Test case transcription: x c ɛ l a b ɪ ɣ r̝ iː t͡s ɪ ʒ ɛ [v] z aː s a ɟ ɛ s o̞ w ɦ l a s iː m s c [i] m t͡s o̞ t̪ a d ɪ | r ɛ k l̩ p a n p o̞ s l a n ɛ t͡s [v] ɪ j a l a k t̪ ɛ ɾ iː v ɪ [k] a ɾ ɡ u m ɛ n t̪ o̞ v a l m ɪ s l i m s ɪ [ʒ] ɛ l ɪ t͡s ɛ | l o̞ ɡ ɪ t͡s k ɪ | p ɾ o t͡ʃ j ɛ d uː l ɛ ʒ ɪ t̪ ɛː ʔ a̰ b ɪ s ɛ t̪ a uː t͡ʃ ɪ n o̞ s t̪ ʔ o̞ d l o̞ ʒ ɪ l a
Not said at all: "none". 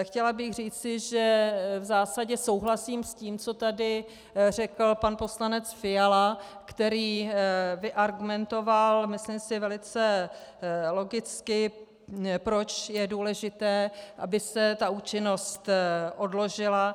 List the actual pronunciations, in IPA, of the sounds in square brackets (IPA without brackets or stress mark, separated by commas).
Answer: v, iː, f, ʔ, v